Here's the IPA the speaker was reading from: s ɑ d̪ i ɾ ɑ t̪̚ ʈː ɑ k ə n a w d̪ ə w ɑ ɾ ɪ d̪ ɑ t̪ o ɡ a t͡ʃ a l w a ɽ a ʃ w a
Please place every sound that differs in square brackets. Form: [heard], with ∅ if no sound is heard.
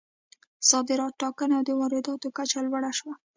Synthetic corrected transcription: s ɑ d̪ [ɪ] ɾ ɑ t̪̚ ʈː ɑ k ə n a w d̪ ə w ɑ ɾ ɪ d̪ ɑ t̪ o [k] a t͡ʃ a l w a ɽ a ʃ w a